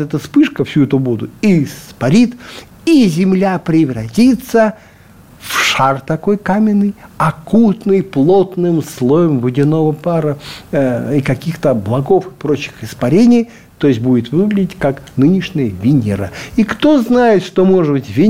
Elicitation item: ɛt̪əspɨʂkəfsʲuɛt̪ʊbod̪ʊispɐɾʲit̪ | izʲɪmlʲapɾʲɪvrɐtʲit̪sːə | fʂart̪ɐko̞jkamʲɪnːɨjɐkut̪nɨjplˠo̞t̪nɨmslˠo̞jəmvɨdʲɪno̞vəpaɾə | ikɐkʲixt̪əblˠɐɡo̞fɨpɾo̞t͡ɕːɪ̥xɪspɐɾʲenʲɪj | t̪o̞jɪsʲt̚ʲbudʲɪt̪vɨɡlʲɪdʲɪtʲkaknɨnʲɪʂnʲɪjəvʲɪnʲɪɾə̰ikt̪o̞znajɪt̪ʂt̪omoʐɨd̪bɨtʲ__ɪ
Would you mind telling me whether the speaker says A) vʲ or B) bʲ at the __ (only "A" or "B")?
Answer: A